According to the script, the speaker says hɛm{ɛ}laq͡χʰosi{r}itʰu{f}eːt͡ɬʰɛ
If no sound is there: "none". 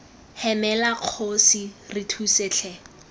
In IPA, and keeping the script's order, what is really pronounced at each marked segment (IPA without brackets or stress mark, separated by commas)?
ɛ, r, s